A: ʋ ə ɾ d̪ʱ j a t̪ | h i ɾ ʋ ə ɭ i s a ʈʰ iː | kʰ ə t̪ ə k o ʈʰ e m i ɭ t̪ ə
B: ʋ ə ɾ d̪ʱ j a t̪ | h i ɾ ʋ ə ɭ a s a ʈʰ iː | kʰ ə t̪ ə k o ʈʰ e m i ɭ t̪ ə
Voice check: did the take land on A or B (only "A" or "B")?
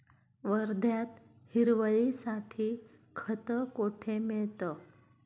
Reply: A